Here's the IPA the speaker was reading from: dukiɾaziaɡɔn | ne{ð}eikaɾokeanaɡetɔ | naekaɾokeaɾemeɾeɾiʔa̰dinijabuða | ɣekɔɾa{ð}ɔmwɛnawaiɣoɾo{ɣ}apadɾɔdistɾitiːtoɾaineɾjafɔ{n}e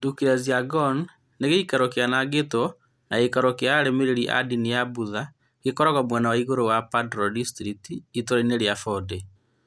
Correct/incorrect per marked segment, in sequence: incorrect, incorrect, incorrect, incorrect

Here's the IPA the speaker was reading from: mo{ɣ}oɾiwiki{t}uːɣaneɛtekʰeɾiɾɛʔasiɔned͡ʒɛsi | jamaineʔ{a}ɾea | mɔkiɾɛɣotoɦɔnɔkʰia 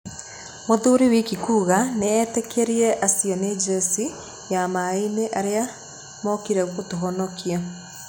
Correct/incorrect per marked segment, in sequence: incorrect, incorrect, correct

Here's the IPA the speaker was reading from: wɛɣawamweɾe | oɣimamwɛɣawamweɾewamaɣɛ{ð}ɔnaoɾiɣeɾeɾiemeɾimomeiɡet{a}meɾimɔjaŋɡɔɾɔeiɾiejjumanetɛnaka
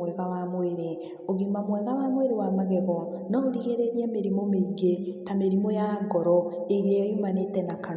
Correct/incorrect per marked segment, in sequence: incorrect, correct

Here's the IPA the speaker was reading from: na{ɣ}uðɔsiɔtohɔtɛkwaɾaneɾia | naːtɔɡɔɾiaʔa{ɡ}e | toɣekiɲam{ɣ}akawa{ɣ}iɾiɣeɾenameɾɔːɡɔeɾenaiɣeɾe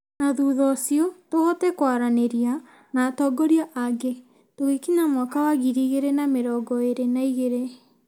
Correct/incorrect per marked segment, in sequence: incorrect, correct, incorrect, correct

